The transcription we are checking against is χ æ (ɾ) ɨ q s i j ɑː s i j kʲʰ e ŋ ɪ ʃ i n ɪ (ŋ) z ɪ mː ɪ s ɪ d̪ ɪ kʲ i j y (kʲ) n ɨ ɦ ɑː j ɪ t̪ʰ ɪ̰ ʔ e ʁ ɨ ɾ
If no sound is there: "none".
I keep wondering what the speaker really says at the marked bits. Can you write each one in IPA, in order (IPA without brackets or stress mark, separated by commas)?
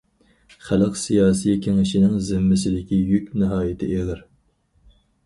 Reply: l, ŋ, kʲ